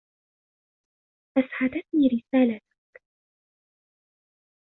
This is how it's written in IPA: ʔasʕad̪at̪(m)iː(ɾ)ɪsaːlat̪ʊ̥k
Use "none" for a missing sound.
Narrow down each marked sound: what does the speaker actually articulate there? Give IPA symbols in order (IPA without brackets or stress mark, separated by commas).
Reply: n, ɾ